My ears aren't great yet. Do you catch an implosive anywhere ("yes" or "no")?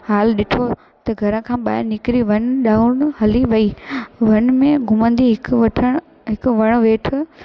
yes